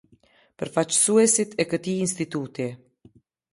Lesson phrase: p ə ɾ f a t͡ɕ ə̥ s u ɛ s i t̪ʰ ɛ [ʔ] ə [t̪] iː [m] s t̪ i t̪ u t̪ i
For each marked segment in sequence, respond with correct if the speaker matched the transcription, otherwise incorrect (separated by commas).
incorrect, correct, incorrect